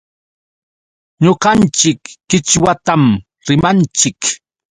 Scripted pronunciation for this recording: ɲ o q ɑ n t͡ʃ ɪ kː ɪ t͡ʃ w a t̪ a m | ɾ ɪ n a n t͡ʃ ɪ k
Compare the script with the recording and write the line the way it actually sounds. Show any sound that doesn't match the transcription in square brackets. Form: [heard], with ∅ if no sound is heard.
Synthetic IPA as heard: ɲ o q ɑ n t͡ʃ ɪ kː ɪ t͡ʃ w a t̪ a m | ɾ ɪ [m] a n t͡ʃ ɪ k